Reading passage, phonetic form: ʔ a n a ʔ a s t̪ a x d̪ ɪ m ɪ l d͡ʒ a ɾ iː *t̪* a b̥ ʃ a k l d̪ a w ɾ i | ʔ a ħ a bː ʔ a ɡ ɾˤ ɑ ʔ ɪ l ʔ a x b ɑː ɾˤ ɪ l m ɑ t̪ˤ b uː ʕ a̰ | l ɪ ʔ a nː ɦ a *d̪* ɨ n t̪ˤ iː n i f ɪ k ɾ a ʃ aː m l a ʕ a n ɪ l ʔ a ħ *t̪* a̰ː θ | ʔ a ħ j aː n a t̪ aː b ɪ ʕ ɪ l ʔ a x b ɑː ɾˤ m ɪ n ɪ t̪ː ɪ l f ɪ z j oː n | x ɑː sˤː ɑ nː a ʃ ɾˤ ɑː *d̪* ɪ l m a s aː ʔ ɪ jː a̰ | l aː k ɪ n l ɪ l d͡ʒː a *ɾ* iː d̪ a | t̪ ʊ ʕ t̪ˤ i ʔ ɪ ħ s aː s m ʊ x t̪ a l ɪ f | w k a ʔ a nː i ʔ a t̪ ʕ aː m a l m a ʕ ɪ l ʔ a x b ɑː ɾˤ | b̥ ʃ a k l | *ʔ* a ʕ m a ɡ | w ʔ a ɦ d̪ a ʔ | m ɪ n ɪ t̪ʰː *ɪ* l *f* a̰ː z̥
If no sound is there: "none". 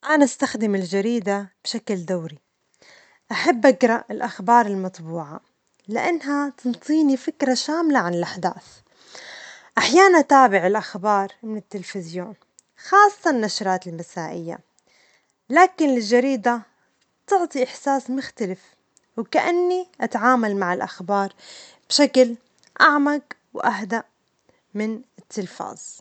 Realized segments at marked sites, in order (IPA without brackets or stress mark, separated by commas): d̪, t̪, d̪, t̪, ɾ, ʔ, ɪ, f